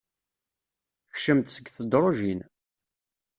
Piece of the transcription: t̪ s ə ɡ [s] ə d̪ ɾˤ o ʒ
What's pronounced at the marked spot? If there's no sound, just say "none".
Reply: θ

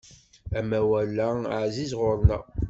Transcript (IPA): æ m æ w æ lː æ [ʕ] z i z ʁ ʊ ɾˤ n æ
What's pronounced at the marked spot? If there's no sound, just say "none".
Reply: ʕ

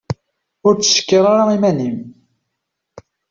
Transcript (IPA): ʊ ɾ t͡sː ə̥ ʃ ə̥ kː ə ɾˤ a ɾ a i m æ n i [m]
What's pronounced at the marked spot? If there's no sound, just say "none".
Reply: m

